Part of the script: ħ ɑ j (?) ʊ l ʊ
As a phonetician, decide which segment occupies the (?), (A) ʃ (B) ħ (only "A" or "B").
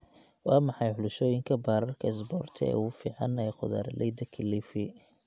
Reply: B